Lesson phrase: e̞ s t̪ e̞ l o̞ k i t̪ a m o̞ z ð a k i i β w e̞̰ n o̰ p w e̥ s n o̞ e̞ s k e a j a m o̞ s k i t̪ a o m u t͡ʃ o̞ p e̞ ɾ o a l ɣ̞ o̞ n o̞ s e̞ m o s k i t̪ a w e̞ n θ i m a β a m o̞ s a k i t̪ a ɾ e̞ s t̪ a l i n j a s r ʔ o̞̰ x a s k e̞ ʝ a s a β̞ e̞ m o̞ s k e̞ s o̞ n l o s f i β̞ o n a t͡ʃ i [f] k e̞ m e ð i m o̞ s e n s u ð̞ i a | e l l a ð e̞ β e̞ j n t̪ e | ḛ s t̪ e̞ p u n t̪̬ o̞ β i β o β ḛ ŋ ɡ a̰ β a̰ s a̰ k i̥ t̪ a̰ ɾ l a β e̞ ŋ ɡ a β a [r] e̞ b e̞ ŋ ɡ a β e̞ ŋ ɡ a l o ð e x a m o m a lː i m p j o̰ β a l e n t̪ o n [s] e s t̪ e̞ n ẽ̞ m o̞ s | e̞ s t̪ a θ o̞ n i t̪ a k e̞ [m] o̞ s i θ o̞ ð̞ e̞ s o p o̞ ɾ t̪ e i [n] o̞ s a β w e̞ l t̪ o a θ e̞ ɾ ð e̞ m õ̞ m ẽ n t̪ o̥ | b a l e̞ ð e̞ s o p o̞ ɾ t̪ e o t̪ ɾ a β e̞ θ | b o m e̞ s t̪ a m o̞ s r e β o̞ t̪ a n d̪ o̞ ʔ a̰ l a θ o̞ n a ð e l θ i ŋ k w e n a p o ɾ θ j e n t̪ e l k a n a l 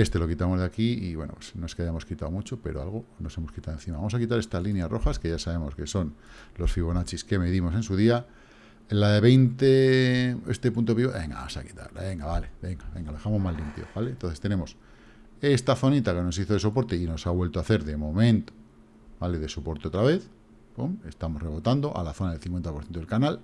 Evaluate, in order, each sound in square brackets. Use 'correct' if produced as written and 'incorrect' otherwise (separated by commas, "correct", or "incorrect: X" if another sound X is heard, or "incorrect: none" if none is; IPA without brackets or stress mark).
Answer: incorrect: s, incorrect: l, incorrect: θ, incorrect: n, correct